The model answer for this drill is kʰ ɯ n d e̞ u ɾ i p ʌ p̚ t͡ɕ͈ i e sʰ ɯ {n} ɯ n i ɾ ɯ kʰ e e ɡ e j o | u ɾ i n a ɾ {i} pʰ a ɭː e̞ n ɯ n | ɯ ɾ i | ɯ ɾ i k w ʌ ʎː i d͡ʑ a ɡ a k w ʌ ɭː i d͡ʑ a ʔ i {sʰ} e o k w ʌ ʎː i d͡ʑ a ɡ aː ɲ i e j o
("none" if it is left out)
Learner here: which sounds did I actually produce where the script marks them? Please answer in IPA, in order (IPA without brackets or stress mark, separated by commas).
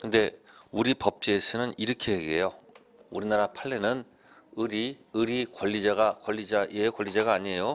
n, a, none